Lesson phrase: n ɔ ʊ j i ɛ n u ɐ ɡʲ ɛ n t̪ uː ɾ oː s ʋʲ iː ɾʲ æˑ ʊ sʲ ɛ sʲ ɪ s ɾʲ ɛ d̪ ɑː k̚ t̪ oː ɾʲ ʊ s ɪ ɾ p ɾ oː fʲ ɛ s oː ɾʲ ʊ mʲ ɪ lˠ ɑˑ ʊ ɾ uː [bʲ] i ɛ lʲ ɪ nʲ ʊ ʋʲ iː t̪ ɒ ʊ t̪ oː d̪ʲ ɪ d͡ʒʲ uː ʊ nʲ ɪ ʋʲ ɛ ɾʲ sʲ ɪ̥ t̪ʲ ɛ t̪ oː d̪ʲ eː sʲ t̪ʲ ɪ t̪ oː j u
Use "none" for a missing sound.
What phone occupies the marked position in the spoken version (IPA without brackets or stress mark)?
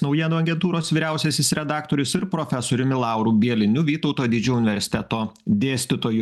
bʲ